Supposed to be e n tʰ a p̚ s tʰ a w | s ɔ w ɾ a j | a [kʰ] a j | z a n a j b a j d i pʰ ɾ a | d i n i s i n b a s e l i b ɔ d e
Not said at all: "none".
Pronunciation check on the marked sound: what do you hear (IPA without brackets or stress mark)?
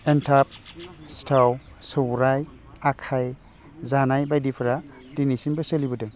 kʰ